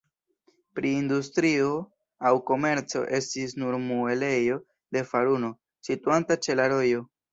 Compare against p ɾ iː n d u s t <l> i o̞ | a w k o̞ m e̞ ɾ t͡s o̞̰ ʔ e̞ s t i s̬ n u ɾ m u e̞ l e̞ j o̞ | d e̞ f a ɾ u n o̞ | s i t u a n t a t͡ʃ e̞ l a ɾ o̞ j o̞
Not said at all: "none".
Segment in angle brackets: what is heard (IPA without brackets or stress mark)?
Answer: ɾ